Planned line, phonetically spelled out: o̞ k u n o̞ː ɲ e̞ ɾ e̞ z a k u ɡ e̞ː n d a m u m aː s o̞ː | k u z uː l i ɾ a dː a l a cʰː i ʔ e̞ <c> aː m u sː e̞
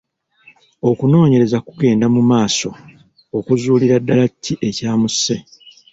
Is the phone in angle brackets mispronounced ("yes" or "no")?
no